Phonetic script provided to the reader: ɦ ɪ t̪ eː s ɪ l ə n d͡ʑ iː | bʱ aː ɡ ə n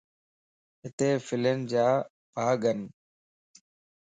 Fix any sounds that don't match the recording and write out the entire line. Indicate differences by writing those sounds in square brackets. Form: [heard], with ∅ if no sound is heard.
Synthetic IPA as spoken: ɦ ɪ t̪ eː [f] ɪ l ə n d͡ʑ [aː] | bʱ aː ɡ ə n